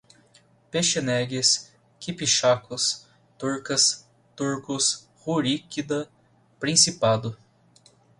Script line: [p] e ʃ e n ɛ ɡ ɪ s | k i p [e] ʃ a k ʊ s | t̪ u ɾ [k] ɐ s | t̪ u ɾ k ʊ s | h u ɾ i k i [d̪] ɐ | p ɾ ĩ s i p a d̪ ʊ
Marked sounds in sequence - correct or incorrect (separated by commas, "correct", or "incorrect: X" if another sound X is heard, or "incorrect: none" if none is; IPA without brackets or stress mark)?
correct, incorrect: i, correct, correct